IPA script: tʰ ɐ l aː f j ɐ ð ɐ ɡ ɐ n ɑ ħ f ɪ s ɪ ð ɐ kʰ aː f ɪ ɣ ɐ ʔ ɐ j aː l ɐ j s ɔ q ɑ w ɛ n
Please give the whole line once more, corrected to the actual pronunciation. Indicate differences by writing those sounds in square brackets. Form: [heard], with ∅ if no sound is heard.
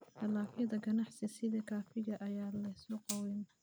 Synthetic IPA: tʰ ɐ l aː f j ɐ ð ɐ ɡ ɐ n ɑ ħ [s] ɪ s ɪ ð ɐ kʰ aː f ɪ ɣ ɐ ʔ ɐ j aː l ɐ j s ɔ q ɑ w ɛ n